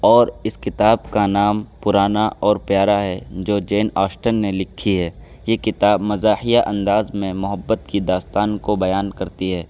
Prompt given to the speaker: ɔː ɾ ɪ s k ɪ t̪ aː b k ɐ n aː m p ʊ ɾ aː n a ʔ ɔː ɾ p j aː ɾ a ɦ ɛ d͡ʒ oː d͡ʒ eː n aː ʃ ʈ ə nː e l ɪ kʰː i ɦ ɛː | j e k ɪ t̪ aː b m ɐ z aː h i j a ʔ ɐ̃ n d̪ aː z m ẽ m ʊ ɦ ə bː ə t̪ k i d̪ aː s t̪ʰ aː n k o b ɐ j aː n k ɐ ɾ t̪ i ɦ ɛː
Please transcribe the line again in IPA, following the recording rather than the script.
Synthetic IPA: ɔː ɾ ɪ s k ɪ t̪ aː b k a n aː m p ʊ ɾ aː n a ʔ ɔː ɾ p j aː ɾ a ɦ ɛ d͡ʒ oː d͡ʒ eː n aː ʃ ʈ ə nː e l ɪ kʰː i ɦ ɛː | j e k ɪ t̪ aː b m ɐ z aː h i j a ʔ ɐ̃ n d̪ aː z m ẽ m ʊ ɦ ə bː ə t̪ k i d̪ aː s t̪ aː n k o b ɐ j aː n k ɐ ɾ t̪ i ɦ ɛː

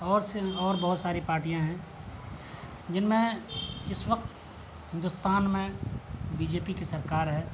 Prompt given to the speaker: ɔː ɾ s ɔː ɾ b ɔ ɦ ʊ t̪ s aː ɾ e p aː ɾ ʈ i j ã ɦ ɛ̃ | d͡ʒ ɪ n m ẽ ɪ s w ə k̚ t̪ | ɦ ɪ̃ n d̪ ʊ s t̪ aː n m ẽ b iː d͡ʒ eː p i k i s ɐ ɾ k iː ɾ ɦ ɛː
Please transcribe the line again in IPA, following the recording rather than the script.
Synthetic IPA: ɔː ɾ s ɔː ɾ b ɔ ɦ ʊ t̪ s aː ɾ i p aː ɾ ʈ i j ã ɦ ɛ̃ | d͡ʒ ɪ n m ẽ ɪ s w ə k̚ t̪ | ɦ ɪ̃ n d̪ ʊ s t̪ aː n m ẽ b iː d͡ʒ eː p i k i s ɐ ɾ k aː ɾ ɦ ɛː

